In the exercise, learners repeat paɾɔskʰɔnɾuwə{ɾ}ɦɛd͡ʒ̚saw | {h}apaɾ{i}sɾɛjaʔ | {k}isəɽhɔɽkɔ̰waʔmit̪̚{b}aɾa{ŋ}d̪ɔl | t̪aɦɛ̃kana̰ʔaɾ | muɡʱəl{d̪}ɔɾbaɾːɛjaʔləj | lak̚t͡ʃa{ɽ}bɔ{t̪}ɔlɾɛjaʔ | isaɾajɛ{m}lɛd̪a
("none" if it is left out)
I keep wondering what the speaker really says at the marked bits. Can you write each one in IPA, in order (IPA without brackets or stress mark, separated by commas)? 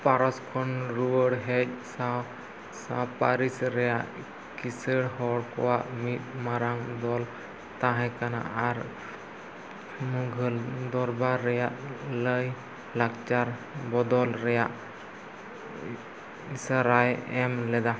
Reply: ɽ, s, i, k, m, ŋ, d̪, ɾ, d̪, m